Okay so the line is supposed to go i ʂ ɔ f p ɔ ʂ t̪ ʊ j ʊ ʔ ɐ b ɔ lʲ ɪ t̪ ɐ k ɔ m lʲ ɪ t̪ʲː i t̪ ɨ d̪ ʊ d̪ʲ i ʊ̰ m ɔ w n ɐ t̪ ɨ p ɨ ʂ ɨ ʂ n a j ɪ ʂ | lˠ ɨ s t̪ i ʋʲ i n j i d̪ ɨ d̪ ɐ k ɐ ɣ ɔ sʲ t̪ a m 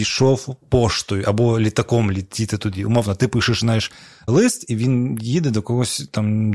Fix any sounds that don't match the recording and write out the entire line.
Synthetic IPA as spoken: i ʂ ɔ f p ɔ ʂ t̪ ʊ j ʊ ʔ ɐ b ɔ lʲ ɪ t̪ ɐ k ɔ m lʲ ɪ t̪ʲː i t̪ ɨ t̪ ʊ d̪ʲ i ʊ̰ m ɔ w n ɐ t̪ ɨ p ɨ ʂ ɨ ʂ n a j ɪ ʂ | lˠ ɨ s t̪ i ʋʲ i n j i d̪ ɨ d̪ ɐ k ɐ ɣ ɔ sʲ t̪ a m